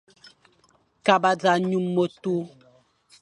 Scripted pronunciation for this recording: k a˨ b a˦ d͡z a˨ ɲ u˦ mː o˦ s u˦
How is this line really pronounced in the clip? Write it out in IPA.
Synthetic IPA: k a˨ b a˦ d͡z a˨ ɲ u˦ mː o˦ t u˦

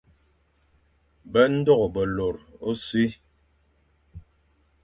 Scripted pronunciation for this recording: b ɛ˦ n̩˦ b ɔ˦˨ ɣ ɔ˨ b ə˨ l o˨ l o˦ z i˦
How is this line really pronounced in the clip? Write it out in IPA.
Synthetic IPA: b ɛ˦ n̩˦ d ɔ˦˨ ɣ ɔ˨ b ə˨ l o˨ ɾ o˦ s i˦

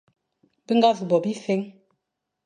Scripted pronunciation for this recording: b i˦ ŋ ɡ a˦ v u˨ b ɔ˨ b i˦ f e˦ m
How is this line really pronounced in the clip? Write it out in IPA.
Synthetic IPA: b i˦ ŋ ɡ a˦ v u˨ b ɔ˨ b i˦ f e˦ ŋ

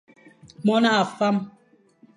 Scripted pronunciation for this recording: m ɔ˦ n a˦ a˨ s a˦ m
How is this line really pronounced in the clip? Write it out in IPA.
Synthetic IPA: m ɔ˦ n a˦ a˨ f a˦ m

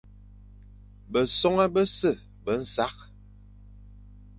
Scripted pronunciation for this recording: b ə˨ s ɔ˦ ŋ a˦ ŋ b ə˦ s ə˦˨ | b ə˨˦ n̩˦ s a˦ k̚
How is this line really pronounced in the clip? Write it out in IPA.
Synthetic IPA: b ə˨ s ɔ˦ ŋ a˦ b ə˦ s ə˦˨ | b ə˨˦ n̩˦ s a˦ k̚

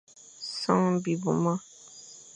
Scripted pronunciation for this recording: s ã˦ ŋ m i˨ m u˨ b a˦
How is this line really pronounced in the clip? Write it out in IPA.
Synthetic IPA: s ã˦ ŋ b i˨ b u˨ m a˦

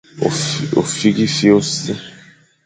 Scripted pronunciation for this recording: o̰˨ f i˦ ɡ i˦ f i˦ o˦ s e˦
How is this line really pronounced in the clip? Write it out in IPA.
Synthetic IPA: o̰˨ f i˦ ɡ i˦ f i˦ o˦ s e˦

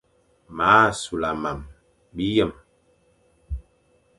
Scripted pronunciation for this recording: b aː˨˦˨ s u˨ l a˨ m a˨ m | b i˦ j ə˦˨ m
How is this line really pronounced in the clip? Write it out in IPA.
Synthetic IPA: m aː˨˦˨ s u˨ l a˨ m a˨ m | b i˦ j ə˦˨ m

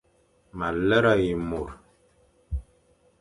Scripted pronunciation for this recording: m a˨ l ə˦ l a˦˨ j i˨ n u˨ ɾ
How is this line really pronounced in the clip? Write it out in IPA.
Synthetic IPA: m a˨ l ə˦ ɾ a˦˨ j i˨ m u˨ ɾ

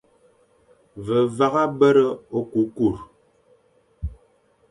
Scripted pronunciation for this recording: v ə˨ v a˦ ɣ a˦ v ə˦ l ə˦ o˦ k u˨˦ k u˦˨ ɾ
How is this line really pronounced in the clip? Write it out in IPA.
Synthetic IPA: v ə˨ v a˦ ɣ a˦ b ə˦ ɾ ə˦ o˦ k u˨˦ k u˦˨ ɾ

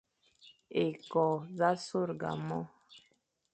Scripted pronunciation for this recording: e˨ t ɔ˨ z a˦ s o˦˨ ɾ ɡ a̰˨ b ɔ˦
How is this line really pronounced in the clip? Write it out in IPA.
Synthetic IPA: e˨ k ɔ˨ z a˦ s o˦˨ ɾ ɡ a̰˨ m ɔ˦

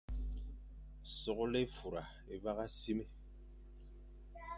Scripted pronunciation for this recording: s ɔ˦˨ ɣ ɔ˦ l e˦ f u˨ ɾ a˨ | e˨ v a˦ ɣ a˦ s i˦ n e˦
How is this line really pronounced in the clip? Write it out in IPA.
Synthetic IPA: s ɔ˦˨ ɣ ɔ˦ l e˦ f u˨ ɾ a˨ | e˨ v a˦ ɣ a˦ s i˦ m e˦

